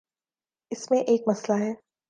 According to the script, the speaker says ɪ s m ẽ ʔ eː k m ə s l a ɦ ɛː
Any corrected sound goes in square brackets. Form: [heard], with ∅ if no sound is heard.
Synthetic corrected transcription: ɪ s m ẽ ʔ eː k m [ɐ] s l a ɦ ɛː

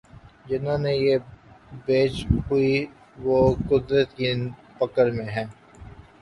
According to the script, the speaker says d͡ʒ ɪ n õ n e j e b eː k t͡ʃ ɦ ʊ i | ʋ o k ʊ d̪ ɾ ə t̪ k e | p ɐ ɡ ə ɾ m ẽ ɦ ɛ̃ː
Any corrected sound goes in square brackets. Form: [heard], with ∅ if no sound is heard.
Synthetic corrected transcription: d͡ʒ ɪ n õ n e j e b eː [∅] t͡ʃ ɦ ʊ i | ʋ o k ʊ d̪ ɾ ə t̪ k [i] | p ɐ [k] ə ɾ m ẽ ɦ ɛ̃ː

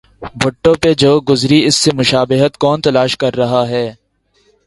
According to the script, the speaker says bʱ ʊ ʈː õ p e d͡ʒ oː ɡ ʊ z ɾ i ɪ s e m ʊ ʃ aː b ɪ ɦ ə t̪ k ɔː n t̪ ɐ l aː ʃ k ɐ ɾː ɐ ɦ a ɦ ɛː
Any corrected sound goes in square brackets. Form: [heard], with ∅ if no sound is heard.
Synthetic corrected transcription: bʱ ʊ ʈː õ p e d͡ʒ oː ɡ ʊ z ɾ i ɪ [sː] e m ʊ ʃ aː b ɪ ɦ ə t̪ k ɔː n t̪ ɐ l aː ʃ k ɐ ɾː ɐ ɦ a ɦ ɛː

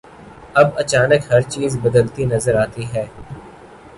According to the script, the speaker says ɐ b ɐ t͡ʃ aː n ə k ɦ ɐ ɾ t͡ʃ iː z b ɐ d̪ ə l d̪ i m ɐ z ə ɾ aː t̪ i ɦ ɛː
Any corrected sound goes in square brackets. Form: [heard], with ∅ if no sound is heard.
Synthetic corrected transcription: ɐ b ɐ t͡ʃ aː n ə k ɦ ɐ ɾ t͡ʃ iː z b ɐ d̪ ə l [t̪] i [n] ɐ z ə ɾ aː t̪ i ɦ ɛː

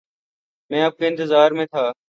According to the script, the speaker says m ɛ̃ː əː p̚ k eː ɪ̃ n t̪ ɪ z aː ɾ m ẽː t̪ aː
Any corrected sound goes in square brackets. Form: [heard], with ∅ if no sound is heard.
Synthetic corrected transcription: m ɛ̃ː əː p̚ k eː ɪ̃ n t̪ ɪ z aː ɾ m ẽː [t̪ʰ] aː

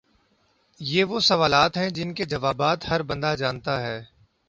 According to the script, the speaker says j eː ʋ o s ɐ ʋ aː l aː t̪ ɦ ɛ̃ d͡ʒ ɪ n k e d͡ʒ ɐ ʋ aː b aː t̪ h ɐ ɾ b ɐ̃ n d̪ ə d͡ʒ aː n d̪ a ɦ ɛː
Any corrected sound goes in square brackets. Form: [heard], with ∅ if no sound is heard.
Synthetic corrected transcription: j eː ʋ o s ɐ ʋ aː l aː t̪ ɦ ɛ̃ d͡ʒ ɪ n k e d͡ʒ ɐ ʋ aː b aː t̪ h ɐ ɾ b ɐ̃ n d̪ [a] d͡ʒ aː n [t̪] a ɦ ɛː

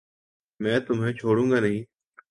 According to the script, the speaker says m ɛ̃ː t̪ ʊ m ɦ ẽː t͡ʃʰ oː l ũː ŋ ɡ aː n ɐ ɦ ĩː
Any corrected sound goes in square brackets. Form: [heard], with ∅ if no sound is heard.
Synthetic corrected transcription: m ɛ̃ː t̪ ʊ m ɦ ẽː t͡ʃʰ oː [ɽ] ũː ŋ ɡ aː n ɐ ɦ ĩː

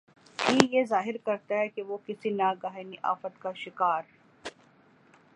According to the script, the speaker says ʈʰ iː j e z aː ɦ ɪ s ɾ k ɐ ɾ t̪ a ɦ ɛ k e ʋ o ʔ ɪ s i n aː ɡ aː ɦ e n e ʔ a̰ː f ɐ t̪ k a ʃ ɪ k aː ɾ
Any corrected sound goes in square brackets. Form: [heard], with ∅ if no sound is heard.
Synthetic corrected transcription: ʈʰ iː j e z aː ɦ ɪ [∅] ɾ k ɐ ɾ t̪ a ɦ ɛ k e ʋ o [k] ɪ s i n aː ɡ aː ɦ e n [i] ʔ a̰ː f [ə] t̪ k a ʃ ɪ k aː ɾ

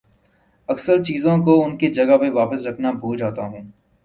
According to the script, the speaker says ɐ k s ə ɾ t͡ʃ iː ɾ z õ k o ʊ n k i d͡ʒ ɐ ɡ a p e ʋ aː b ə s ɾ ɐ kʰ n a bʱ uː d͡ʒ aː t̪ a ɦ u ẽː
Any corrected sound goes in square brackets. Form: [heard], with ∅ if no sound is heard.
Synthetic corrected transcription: ɐ k s ə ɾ t͡ʃ iː [∅] z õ k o ʊ n k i d͡ʒ ɐ ɡ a p e ʋ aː [p] ə s ɾ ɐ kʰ n a bʱ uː d͡ʒ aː t̪ a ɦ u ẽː

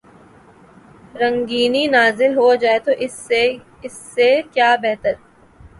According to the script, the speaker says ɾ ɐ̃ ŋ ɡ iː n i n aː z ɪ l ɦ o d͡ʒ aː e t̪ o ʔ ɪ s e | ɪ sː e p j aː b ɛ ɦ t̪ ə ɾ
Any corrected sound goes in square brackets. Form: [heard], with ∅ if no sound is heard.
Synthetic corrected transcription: ɾ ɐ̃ ŋ ɡ iː n i n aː z ɪ l ɦ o d͡ʒ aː e t̪ o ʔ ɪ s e | ɪ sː e [k] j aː b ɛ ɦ t̪ ə ɾ

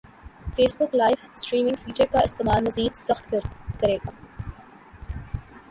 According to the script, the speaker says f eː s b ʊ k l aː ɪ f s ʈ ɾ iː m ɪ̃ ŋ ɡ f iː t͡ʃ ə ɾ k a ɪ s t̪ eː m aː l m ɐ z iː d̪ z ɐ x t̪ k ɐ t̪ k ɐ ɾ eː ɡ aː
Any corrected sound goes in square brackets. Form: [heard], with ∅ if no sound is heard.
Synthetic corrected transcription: f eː s b ʊ k l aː ɪ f s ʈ ɾ iː m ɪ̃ ŋ ɡ f iː t͡ʃ ə ɾ k a ɪ s t̪ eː m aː l m ɐ z iː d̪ [s] ɐ x t̪ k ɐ [∅] k ɐ ɾ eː ɡ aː

